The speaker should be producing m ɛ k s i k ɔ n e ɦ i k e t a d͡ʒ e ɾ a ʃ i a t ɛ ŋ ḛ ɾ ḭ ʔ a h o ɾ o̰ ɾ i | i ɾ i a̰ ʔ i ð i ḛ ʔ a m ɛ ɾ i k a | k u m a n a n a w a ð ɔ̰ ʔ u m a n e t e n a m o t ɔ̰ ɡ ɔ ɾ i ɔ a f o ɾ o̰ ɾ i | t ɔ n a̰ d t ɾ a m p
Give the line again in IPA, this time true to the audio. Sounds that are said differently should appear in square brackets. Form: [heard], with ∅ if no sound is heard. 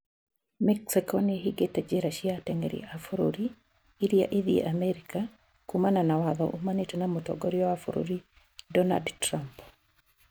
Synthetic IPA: m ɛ k s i k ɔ n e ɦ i [ɡ] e t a d͡ʒ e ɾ a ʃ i a t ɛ ŋ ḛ ɾ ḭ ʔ a [f] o ɾ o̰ ɾ i | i ɾ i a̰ ʔ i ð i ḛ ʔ a m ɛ ɾ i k a | k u m a n a n a w a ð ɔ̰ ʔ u m a n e t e n a m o t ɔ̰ ɡ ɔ ɾ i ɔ a f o ɾ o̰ ɾ i | [d] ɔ n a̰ d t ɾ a m p